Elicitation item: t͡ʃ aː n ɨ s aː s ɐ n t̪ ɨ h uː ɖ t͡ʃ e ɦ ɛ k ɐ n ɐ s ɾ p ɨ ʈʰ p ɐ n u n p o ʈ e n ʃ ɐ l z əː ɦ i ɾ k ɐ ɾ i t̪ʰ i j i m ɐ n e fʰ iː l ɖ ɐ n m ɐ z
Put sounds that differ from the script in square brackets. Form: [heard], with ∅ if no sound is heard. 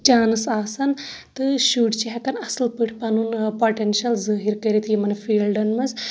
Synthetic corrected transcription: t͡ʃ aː n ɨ s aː s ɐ n t̪ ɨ [ʃ] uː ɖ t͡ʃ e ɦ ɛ k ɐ n ɐ s [l] p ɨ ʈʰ p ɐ n u n p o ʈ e n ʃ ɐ l z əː ɦ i ɾ k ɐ ɾ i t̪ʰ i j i m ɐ n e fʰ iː l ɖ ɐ n m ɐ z